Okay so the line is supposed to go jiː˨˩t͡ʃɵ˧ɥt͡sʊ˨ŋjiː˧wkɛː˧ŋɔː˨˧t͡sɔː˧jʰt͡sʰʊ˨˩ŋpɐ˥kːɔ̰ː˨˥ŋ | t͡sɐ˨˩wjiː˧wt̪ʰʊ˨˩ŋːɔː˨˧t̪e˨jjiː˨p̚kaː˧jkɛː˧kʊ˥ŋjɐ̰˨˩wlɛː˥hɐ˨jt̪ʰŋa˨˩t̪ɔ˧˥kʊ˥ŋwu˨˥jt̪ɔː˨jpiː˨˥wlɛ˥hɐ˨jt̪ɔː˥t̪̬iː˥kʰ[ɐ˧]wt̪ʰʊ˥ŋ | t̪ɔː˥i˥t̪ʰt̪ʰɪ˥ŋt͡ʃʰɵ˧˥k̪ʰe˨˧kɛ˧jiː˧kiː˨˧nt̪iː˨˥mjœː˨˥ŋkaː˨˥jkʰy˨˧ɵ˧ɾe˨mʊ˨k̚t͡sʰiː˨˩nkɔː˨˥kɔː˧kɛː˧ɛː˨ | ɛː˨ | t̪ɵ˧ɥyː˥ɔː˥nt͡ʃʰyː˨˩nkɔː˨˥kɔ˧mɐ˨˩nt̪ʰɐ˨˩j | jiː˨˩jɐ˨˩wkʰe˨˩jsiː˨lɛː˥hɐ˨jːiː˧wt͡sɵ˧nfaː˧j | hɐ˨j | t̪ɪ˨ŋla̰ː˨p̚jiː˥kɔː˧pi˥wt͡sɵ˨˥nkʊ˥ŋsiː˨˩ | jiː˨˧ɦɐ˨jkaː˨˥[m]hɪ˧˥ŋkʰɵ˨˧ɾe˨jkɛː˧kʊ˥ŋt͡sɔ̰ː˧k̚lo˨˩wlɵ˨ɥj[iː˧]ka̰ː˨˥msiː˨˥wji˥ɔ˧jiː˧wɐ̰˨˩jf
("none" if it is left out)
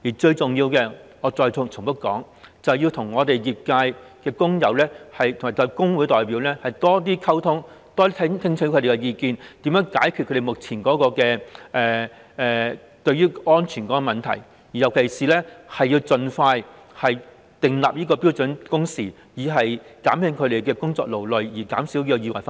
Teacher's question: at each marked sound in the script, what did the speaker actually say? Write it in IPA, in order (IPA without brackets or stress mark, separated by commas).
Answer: ɐ˥, m, iː˨˩